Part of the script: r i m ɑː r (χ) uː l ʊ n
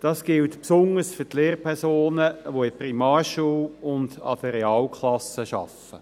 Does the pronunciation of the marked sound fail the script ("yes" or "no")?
yes